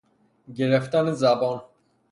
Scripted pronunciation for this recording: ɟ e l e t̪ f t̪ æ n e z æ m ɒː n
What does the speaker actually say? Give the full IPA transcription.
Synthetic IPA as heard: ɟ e ɾ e f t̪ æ n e z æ b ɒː n